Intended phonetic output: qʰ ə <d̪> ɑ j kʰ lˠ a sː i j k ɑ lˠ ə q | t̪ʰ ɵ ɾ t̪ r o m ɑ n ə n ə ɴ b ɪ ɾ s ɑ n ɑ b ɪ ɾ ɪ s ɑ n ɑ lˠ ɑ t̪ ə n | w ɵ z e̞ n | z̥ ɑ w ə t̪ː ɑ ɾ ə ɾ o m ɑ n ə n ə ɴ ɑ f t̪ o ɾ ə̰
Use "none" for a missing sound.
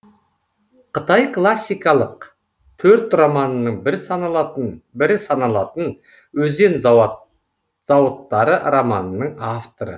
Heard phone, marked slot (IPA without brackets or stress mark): t̪